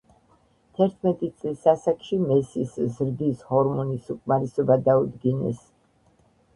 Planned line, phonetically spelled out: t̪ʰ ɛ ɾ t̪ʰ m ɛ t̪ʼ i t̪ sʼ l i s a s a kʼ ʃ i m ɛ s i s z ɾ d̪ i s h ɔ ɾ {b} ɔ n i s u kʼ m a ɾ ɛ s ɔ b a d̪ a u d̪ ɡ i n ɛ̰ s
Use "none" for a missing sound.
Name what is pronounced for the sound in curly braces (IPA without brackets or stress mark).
m